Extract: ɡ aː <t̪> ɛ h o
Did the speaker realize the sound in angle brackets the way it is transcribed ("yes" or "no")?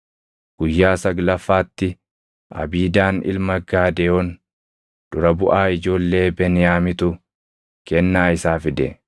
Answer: no